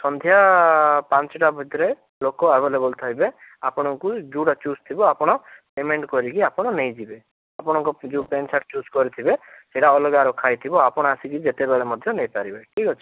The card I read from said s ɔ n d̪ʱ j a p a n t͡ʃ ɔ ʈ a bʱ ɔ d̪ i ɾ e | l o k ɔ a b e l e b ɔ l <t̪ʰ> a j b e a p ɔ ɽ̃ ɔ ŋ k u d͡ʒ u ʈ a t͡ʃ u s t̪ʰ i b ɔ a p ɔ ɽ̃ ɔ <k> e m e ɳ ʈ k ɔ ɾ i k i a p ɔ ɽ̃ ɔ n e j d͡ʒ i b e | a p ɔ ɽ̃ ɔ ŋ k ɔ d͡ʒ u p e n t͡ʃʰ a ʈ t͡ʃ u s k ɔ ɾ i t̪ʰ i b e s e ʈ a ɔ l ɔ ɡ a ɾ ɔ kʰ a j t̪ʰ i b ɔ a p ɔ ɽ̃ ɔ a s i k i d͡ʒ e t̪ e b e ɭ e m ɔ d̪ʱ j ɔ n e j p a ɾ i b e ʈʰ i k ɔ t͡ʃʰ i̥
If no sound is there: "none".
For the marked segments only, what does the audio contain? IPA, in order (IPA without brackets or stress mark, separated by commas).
t̪ʰ, p